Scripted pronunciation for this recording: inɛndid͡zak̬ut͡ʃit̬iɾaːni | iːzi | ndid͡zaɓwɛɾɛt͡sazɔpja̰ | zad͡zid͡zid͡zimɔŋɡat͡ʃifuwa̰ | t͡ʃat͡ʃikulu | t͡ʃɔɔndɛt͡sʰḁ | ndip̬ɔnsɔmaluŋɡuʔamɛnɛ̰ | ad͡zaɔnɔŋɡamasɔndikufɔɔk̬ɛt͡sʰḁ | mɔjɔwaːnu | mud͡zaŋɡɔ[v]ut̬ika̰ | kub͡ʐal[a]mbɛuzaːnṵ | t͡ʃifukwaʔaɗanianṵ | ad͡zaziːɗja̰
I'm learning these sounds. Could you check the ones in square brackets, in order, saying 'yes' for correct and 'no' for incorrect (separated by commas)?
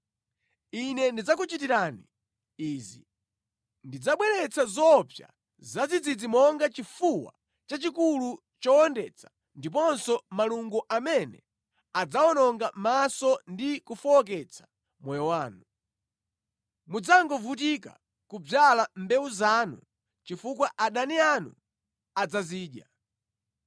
yes, yes